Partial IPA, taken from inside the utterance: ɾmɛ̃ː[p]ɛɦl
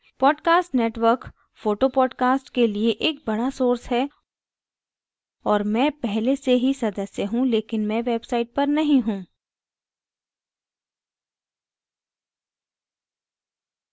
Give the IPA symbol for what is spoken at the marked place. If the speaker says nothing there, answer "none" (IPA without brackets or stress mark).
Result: p